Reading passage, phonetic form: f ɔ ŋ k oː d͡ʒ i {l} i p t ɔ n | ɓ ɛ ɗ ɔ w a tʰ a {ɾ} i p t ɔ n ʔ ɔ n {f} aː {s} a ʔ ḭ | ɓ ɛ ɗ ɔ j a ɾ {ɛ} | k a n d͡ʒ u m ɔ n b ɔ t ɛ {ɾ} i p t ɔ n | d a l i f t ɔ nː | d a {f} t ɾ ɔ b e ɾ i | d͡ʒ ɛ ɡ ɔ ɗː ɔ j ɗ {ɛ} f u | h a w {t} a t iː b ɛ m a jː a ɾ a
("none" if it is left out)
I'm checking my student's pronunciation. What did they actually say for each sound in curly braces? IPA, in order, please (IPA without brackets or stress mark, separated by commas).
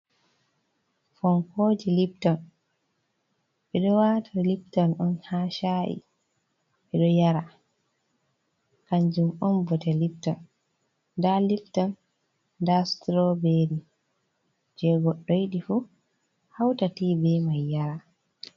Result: l, l, h, ʃ, a, l, s, i, t